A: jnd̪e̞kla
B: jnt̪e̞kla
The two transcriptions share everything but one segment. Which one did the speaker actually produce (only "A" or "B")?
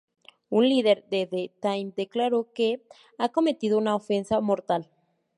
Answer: A